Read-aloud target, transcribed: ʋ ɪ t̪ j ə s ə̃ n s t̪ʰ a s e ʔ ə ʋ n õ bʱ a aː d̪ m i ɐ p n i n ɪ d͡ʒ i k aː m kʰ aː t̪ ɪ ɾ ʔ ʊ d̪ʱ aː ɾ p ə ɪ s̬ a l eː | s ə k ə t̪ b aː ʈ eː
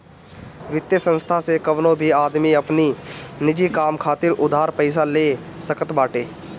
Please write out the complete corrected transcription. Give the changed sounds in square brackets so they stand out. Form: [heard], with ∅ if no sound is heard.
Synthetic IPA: ʋ ɪ t̪ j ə s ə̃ n s t̪ʰ a s e [k] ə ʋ n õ bʱ [i] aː d̪ m i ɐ p n i n ɪ d͡ʒ i k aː m kʰ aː t̪ ɪ ɾ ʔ ʊ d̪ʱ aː ɾ p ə ɪ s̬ a l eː | s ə k ə t̪ b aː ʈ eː